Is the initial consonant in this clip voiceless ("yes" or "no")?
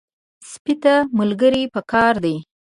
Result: yes